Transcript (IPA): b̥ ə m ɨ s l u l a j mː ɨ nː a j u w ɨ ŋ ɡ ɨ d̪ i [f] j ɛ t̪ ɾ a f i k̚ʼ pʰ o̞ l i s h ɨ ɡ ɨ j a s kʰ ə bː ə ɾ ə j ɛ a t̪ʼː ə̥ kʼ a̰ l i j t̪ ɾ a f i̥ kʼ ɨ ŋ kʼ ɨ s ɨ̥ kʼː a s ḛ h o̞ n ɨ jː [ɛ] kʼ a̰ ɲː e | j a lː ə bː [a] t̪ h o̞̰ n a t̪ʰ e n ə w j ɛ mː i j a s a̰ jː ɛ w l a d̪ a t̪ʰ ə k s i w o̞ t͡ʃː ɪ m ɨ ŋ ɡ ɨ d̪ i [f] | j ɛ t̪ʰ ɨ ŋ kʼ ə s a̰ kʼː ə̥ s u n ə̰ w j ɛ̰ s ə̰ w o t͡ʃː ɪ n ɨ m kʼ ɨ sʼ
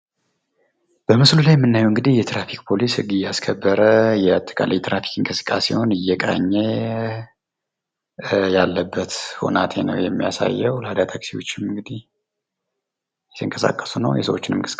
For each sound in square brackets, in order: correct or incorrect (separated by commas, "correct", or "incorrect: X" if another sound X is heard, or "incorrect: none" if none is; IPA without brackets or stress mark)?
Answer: incorrect: h, correct, incorrect: ə, incorrect: h